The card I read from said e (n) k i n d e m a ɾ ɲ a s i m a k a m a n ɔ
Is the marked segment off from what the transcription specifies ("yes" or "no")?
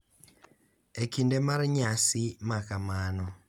yes